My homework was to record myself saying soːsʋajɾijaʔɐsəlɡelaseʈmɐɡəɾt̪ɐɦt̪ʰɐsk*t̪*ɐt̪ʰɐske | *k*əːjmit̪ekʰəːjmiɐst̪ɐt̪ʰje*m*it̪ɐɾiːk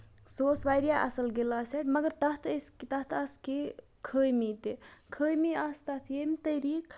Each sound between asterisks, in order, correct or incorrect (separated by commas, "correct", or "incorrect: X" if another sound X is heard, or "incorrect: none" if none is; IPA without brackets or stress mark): correct, incorrect: kʰ, correct